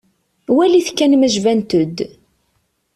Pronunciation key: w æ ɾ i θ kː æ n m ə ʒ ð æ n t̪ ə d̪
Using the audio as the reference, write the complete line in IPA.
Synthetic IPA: w æ l i θ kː æ n m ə ʒ v æ n t̪ ə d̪